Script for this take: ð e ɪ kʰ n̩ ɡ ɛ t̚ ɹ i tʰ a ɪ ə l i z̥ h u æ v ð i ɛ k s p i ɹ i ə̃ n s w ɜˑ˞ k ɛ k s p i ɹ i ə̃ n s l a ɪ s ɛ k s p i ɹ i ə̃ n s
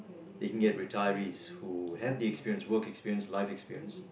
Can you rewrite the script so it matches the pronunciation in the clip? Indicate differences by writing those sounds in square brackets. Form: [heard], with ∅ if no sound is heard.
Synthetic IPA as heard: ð e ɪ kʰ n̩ ɡ ɛ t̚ ɹ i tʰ a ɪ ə [ɹ] i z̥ h u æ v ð i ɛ k s p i ɹ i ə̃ n s w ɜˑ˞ k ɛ k s p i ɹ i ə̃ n s l a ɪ [f] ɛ k s p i ɹ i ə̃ n s